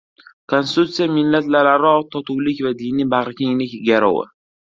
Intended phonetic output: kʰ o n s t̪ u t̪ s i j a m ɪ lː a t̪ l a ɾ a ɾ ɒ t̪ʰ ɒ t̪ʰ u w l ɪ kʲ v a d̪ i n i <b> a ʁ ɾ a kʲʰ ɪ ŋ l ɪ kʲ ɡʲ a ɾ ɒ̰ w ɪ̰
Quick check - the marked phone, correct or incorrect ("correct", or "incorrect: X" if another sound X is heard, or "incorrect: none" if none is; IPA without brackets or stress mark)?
correct